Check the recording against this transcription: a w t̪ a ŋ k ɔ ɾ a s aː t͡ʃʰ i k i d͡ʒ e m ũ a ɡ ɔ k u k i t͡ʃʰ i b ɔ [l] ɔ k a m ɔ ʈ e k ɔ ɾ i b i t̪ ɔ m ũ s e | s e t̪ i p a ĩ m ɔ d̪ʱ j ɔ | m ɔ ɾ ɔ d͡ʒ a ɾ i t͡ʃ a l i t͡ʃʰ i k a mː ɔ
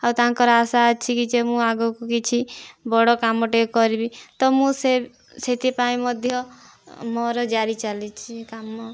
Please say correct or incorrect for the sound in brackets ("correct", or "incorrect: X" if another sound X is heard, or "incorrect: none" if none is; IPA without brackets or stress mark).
incorrect: ɽ